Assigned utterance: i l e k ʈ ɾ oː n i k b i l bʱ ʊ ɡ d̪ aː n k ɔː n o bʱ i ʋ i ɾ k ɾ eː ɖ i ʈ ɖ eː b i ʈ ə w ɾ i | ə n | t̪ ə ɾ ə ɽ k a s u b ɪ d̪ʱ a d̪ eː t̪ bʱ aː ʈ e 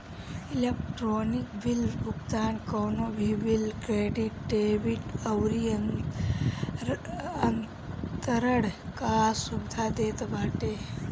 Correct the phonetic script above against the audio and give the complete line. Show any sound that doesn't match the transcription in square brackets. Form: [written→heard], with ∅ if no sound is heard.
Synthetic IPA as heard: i l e k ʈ ɾ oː n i k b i l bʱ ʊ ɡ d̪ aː n k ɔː n o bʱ i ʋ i [ɾ→l] k ɾ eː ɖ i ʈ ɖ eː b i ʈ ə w ɾ i | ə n | t̪ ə ɾ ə ɽ k a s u b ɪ d̪ʱ a d̪ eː t̪ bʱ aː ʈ e